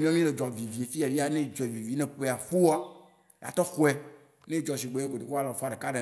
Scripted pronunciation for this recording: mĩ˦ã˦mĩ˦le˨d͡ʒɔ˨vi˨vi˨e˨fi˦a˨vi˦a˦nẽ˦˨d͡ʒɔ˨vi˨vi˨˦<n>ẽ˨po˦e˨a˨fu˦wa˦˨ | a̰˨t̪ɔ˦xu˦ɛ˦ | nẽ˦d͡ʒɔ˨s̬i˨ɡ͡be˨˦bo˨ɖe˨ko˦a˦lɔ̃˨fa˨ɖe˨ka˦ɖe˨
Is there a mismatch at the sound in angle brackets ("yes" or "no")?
no